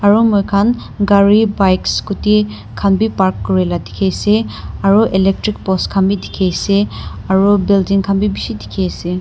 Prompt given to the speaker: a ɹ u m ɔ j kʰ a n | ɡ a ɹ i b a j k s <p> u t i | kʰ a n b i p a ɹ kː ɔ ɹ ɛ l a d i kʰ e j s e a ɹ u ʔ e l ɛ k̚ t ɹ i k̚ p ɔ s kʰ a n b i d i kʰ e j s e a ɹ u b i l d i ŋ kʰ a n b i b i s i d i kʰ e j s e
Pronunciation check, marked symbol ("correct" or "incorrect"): incorrect